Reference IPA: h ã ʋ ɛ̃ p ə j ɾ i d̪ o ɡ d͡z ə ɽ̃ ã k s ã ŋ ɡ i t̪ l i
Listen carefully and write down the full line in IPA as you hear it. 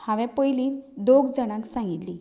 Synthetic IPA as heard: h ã ʋ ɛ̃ p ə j l i d̪ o ɡ d͡z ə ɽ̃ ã k s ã ŋ ɡ i t̪ l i